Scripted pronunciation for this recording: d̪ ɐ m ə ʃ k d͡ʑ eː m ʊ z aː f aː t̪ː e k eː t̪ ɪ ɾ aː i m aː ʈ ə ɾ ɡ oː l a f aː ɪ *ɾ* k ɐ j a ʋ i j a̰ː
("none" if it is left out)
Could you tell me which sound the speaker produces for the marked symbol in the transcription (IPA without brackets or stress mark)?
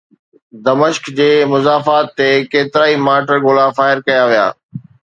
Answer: ɾ